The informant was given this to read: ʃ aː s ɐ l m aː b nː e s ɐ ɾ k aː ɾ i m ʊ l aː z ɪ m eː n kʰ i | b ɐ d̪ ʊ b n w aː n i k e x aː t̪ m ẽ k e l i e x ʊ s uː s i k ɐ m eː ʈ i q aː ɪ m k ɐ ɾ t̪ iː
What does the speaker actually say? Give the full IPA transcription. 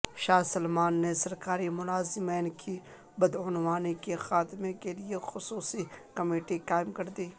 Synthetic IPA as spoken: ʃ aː s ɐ l m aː nː e s ɐ ɾ k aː ɾ i m ʊ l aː z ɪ m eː n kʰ i | b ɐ d̪ ʊ n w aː n i k e x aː t̪ m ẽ k e l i e x ʊ s uː s i k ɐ m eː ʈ i k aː ɪ m k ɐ ɾ d̪ iː